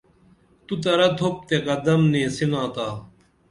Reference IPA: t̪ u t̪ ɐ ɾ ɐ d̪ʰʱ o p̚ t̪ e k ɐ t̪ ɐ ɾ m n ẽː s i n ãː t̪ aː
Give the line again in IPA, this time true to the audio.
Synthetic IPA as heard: t̪ u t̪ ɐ ɾ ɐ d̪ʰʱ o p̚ t̪ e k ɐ d̪ ɐ m n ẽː s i n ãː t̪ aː